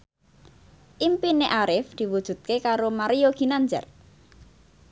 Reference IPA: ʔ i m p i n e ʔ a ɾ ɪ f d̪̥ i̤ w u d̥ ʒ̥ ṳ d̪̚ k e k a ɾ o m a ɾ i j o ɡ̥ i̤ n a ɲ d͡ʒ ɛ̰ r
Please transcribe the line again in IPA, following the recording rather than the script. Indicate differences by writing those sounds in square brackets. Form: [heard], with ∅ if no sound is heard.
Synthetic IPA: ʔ i m p i n e ʔ a ɾ ɪ f d̪̥ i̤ w u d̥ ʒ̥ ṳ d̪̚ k e k a ɾ o m a ɾ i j o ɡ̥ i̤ n a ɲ d͡ʒ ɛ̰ r